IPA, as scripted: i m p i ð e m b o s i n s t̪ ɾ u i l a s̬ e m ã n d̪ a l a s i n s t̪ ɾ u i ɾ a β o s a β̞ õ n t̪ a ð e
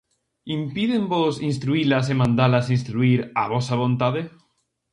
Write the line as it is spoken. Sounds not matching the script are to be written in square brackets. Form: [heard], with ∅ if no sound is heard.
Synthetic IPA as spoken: i m p i ð e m b o s i n s t̪ ɾ u i l a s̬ e m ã n d̪ a l a s i n s t̪ ɾ u i ɾ a β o s a β̞ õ n t̪ a ð e